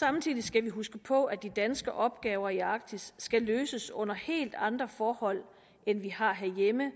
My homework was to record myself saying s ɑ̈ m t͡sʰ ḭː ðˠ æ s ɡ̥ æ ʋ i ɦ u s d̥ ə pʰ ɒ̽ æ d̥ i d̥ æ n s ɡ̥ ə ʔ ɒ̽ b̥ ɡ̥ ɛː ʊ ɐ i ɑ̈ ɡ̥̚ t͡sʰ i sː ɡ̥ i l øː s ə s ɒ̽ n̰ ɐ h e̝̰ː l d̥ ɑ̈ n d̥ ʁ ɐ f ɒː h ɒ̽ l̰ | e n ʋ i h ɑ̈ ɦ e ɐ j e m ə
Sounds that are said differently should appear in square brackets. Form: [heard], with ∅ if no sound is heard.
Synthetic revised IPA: s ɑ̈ m t͡sʰ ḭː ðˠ [i] s ɡ̥ æ ʋ i ɦ u s [ɡ̥] ə pʰ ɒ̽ æ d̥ i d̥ æ n s ɡ̥ ə ʔ ɒ̽ b̥ ɡ̥ ɛː ʊ ɐ i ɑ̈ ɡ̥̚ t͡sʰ i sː ɡ̥ [æ] l øː s ə s [ɔ̽] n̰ ɐ h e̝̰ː l d̥ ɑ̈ n d̥ ʁ ɐ f ɒː h ɒ̽ l̰ | e n ʋ i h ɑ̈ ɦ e ɐ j e m ə